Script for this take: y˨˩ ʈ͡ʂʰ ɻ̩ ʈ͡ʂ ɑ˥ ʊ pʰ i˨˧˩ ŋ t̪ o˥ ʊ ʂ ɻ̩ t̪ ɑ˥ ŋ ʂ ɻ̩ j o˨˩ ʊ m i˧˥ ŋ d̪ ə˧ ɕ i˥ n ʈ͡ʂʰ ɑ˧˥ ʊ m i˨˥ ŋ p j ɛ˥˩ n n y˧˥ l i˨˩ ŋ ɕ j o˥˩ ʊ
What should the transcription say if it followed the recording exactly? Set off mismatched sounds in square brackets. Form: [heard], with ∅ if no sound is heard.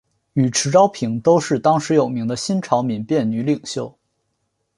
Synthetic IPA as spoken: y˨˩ ʈ͡ʂʰ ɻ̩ ʈ͡ʂ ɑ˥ ʊ pʰ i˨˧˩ ŋ t̪ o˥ ʊ ʂ ɻ̩ t̪ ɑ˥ ŋ ʂ ɻ̩ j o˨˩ ʊ m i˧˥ ŋ d̪ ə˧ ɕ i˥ n ʈ͡ʂʰ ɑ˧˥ ʊ m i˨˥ [n] p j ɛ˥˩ n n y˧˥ l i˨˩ ŋ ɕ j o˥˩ ʊ